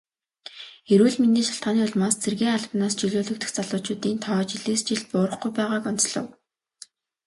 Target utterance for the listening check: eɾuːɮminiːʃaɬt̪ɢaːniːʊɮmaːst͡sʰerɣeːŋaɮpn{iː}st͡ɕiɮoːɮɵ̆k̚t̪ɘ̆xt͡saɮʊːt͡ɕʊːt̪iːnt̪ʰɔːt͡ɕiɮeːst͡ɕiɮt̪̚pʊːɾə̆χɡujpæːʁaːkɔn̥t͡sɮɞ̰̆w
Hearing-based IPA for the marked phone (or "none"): aː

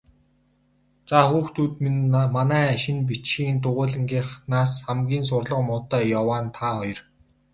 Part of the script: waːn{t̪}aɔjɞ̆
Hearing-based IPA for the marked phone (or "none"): t̪ʰ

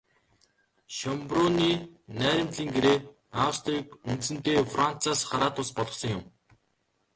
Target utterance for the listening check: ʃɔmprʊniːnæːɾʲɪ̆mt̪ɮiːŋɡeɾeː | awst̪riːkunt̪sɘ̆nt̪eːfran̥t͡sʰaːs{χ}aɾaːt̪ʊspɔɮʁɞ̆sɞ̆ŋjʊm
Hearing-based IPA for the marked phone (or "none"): χ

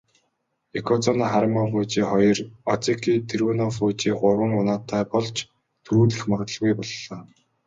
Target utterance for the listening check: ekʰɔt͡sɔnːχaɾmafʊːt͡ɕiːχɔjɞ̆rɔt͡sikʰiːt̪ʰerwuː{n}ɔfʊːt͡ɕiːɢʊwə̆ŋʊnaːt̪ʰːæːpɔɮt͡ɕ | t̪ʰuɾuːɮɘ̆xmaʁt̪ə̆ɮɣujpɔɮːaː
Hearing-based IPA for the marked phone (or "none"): n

